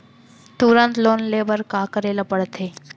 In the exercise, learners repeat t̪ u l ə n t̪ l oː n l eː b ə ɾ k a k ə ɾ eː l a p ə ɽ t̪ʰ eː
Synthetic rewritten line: t̪ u ɾ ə n t̪ l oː n l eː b ə ɾ k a k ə ɾ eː l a p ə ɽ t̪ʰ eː